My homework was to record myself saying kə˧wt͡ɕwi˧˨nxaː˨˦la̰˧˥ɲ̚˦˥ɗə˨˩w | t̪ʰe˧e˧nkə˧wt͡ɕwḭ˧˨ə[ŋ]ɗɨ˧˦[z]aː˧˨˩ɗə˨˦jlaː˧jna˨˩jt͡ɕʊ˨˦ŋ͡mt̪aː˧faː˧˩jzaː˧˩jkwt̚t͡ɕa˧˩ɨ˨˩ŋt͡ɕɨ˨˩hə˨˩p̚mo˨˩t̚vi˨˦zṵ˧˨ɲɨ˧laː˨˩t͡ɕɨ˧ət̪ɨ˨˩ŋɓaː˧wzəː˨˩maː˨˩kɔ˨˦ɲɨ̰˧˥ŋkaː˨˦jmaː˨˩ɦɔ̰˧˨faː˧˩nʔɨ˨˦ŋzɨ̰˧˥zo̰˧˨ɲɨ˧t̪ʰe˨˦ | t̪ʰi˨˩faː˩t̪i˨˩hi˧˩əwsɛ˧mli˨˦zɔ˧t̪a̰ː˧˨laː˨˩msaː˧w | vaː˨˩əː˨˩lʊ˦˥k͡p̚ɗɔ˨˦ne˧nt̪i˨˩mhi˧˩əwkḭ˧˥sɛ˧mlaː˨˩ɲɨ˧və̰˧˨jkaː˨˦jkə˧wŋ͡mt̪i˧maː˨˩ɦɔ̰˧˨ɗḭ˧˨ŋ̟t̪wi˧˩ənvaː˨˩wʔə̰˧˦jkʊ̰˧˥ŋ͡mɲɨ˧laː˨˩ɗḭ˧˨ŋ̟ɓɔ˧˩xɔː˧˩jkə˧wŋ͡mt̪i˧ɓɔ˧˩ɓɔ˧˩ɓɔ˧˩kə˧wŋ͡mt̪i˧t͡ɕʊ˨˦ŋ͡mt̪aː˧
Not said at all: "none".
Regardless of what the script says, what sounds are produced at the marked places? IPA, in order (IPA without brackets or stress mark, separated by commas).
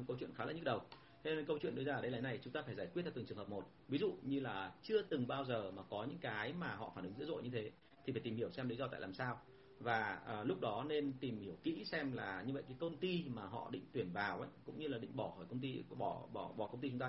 n, z